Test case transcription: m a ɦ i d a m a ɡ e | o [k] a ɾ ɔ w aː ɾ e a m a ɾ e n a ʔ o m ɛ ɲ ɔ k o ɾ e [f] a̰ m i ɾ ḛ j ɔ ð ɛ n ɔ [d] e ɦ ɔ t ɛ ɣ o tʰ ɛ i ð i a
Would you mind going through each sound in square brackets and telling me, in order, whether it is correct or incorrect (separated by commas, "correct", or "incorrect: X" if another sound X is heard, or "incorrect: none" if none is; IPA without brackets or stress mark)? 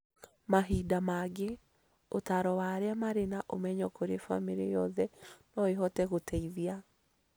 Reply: incorrect: t, correct, incorrect: none